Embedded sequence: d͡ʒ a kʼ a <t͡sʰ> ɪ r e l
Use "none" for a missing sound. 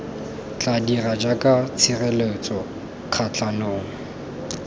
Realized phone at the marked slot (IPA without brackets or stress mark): t͡sʰ